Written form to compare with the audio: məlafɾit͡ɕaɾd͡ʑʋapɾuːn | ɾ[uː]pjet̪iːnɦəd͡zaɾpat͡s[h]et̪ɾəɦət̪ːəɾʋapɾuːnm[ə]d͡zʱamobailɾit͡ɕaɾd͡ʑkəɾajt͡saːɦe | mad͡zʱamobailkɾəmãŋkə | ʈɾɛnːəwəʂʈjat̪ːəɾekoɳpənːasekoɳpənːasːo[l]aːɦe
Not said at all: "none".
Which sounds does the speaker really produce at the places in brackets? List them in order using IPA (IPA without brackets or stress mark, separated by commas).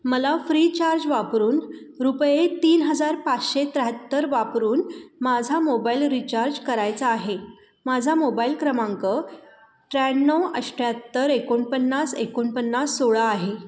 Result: u, ɕ, a, ɭ